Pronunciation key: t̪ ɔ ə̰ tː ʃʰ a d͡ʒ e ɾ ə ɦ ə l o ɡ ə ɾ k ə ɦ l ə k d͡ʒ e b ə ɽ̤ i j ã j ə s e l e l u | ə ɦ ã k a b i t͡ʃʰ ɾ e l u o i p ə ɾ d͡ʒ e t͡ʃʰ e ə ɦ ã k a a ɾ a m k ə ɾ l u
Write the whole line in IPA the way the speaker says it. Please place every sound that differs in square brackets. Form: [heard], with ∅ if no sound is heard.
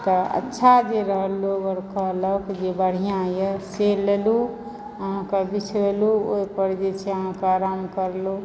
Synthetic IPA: t̪ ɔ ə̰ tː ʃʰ a d͡ʒ e ɾ ə ɦ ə l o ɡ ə ɾ k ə ɦ l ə k d͡ʒ e b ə ɽ̤ i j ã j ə s e l e l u | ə ɦ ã k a b i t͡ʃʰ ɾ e l u o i p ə ɾ d͡ʒ e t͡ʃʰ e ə ɦ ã k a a ɾ a m k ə ɾ l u